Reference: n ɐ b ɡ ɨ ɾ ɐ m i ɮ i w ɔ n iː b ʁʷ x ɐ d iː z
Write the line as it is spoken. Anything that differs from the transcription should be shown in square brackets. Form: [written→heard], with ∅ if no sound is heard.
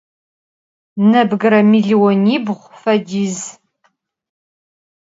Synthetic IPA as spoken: n ɐ b ɡ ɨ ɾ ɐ m i ɮ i w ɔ n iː b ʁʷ [x→f] ɐ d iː z